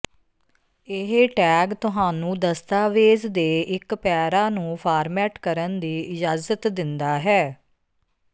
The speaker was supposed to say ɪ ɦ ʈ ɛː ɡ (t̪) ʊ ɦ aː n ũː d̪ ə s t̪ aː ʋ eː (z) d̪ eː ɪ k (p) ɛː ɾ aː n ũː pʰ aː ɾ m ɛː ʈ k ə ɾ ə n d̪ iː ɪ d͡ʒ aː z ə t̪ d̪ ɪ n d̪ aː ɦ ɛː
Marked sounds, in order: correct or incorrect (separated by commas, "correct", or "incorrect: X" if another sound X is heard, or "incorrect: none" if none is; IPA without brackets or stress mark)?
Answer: correct, correct, correct